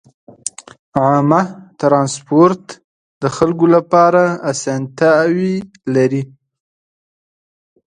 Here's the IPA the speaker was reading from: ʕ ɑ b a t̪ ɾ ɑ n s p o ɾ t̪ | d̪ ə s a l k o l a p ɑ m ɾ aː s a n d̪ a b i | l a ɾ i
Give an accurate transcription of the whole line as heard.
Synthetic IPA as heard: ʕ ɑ m a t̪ ɾ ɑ n s p o ɾ t̪ | d̪ ə x a l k o l a p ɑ ɾ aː s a n t̪ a w i | l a ɾ i